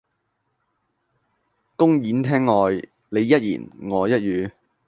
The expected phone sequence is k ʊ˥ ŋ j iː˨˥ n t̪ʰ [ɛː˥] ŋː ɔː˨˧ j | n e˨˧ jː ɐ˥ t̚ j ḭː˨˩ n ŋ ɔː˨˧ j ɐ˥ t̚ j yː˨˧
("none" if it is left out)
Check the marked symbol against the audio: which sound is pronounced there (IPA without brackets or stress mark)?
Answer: ɛː˥